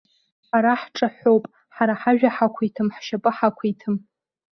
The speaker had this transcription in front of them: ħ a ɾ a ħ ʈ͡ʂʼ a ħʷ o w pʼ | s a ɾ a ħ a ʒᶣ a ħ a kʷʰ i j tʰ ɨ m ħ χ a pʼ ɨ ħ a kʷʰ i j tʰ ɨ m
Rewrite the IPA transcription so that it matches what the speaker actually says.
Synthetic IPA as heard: ħ a ɾ a ħ ʈ͡ʂʼ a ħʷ o w pʼ | ħ a ɾ a ħ a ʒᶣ a ħ a kʷʰ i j tʰ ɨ m ħ ʃ a pʼ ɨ ħ a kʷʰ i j tʰ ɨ m

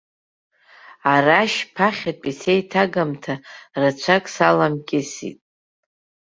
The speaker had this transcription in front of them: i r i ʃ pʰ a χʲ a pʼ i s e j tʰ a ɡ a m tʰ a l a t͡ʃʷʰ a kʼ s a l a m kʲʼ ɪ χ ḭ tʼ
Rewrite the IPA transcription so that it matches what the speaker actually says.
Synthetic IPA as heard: a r a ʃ pʰ a χʲ a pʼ i s e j tʰ a ɡ a m tʰ a r a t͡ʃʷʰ a kʼ s a l a m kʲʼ ɪ s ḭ tʼ

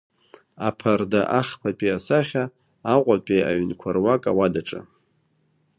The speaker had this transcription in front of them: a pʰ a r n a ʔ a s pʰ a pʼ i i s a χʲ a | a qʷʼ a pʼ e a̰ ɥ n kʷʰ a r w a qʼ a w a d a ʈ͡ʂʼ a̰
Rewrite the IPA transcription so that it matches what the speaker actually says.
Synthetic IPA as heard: a pʰ a r d a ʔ a χ pʰ a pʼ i a s a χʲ a | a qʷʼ a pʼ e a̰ ɥ n kʷʰ a r w a kʼ a w a d a ʈ͡ʂʼ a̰

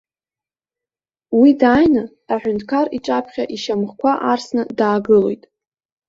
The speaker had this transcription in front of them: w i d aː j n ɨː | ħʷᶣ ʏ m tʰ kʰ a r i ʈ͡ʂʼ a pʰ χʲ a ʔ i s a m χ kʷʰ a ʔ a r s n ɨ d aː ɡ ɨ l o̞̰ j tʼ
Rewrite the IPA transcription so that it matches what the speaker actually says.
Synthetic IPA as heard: w i d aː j n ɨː | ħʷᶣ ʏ n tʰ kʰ a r i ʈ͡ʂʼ a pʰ χʲ a ʔ i ʃ a m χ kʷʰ a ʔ a r s n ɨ d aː ɡ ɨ l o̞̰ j tʼ

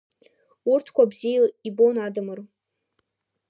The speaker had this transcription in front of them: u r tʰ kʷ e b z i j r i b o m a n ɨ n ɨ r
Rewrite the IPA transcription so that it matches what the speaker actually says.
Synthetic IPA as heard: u r tʰ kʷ a b z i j l i b o n a d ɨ m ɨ r

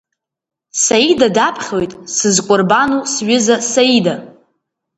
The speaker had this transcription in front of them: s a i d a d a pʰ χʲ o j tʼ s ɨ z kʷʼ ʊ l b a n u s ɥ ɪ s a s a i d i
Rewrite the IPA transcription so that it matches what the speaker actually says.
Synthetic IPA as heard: s a i d a d a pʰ χʲ o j tʼ s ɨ z kʷʼ ʊ r b a n u s ɥ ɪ z a s a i d a

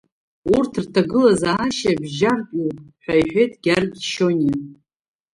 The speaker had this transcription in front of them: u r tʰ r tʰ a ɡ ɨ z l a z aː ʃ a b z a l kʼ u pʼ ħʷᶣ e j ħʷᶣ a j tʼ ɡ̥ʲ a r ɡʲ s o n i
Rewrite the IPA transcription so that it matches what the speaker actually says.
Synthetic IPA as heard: u r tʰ r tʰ a ɡ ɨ l a z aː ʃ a b ʒ a r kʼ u pʼ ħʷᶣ a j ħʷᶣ e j tʼ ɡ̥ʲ a r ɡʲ ʃ o n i

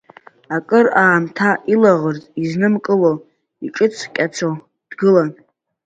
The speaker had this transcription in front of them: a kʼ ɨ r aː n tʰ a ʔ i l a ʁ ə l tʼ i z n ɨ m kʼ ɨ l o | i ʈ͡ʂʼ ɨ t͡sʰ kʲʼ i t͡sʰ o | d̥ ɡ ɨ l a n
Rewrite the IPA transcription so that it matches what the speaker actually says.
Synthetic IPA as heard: a kʼ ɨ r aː m tʰ a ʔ i l a ʁ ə r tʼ i z n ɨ m kʼ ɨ l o | i ʈ͡ʂʼ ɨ t͡sʰ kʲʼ a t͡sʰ o | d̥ ɡ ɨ l a n

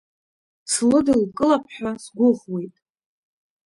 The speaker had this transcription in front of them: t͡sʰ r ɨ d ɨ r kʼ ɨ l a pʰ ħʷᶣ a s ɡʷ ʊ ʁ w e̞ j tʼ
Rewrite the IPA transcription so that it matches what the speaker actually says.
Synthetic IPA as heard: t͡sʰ l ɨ d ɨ l kʼ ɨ l a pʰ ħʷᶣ a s ɡʷ ʊ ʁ w e̞ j tʼ

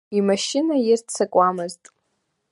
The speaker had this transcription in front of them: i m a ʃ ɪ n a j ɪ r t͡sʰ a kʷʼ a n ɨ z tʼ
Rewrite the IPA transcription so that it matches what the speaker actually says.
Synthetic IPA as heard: i m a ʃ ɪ n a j ɪ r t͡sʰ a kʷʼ a m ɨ z tʼ

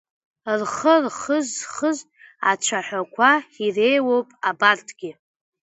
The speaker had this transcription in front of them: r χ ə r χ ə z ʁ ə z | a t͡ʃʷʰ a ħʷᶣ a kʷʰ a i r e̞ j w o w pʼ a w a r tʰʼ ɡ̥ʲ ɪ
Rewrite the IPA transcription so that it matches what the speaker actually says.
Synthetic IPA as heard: r χ ə r χ ə z χ ə z | a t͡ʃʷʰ a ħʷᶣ a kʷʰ a i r e̞ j w o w pʼ a b a r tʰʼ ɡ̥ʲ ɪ

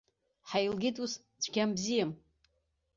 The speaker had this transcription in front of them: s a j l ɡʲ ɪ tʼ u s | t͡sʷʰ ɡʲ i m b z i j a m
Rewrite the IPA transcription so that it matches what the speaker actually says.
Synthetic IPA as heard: ħ a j l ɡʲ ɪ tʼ u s | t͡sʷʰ ɡʲ a m b z i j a m

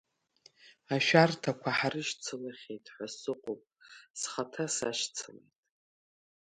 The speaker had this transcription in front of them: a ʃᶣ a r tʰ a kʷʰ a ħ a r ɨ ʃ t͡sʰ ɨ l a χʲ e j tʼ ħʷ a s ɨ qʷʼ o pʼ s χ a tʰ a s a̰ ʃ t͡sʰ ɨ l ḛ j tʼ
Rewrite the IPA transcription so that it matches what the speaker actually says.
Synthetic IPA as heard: a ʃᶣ a r tʰ a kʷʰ a ħ a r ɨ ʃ t͡sʰ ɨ l a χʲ e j tʼ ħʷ a s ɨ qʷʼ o pʼ s χ a tʰ a s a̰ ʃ t͡sʰ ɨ l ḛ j tʼ

